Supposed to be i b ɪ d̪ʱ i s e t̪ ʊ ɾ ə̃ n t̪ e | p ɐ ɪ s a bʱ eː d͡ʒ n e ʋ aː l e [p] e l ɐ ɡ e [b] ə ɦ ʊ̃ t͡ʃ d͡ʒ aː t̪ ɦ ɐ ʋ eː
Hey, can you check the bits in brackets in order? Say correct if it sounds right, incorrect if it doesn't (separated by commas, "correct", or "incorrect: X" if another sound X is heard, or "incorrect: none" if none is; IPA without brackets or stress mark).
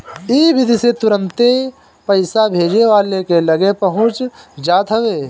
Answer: incorrect: k, incorrect: p